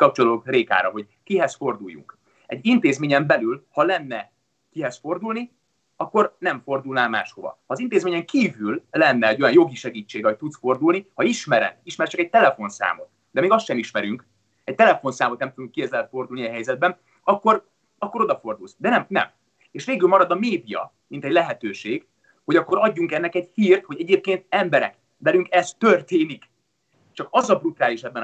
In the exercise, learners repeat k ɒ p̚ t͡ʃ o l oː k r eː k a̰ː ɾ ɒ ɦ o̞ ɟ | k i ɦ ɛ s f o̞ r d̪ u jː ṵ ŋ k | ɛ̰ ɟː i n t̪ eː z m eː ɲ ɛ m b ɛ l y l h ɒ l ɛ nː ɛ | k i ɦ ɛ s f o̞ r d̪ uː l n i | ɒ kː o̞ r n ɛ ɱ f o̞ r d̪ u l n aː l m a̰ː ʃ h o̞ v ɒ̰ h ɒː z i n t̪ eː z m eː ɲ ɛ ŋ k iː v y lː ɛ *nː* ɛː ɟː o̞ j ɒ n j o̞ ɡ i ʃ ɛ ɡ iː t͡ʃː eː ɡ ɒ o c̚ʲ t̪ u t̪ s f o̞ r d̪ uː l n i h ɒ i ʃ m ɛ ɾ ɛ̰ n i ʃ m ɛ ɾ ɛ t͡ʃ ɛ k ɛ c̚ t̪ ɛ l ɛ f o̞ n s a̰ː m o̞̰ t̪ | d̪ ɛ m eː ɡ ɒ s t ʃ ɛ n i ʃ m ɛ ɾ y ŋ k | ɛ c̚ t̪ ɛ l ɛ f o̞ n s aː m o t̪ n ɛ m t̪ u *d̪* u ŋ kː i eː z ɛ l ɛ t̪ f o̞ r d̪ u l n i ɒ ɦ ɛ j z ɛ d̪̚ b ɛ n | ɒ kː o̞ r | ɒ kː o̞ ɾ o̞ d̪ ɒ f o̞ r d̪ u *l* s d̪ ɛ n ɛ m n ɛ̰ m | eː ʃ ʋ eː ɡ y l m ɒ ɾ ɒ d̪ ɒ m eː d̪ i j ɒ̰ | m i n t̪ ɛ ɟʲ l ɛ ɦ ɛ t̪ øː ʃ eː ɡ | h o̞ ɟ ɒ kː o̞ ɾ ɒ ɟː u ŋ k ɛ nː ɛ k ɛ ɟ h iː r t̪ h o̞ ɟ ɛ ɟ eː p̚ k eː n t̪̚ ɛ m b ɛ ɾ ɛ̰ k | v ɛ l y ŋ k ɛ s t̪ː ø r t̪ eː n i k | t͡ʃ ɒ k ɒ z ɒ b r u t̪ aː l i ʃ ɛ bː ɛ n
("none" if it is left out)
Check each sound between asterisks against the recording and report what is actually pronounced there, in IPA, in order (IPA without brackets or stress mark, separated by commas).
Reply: nː, d̪, l